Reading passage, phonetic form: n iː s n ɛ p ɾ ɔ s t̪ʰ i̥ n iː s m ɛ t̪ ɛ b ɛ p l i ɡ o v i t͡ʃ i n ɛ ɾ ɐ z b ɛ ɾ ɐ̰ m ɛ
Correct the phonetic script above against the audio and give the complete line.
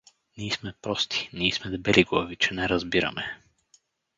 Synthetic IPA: n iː s m ɛ p ɾ ɔ s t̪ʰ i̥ n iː s m ɛ d̪ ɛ b ɛ l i ɡ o v i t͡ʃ ɛ n ɛ ɾ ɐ z b i ɾ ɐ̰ m ɛ